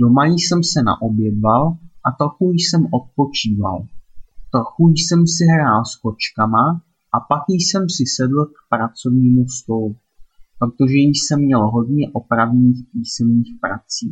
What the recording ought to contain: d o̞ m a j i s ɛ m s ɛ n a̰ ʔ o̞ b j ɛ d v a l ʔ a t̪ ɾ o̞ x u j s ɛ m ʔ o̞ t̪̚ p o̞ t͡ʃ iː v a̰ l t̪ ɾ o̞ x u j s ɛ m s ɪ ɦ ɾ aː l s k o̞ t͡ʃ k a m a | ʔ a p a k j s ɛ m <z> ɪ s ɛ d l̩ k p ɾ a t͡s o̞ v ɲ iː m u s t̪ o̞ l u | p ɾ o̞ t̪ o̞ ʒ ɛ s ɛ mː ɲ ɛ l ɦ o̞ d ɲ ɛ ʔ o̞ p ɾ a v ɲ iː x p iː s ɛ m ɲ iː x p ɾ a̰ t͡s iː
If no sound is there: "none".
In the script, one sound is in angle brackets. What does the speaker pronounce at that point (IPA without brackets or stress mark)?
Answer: s